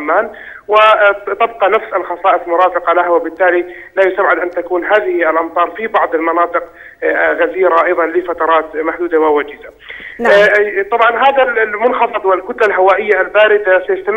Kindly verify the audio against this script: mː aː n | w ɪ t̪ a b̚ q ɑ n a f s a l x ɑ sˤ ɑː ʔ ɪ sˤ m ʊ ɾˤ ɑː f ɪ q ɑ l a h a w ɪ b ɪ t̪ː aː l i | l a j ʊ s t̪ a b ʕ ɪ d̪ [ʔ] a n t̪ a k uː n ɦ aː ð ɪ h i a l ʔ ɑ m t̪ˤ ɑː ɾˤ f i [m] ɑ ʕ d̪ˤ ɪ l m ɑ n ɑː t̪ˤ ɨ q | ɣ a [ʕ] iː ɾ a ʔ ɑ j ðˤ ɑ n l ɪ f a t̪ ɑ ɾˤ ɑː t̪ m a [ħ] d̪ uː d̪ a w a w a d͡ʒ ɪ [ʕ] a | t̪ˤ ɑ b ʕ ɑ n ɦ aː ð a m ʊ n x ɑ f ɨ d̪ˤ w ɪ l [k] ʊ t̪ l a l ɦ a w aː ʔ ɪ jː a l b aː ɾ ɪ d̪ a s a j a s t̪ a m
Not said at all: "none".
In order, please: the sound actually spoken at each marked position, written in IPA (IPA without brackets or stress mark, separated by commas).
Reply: ʔ, b, z, ħ, z, k